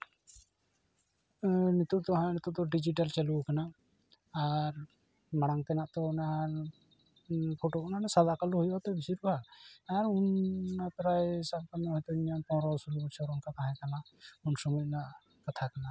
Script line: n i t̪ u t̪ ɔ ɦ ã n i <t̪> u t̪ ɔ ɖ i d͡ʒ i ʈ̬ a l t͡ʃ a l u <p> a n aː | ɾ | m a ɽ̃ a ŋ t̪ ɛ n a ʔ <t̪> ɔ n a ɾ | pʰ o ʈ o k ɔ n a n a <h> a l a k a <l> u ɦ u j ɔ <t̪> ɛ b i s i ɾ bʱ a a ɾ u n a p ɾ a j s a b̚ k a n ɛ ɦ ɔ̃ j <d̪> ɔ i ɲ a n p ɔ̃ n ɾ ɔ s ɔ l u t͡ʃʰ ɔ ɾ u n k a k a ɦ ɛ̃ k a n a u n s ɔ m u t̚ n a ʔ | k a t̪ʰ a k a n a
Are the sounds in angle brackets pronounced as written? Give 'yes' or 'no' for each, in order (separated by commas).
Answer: yes, no, yes, no, yes, yes, no